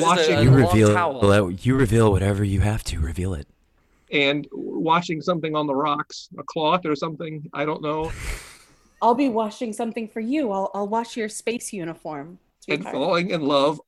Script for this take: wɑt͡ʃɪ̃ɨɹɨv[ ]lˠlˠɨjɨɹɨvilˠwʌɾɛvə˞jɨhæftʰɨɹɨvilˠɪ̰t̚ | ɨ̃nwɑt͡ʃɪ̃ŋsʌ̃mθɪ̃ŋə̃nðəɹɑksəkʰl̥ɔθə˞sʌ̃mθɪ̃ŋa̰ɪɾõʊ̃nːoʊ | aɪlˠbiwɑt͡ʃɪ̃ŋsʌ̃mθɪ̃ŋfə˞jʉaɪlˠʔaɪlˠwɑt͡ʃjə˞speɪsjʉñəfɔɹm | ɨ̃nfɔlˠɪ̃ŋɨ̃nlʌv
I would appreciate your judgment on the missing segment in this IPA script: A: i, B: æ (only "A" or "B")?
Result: A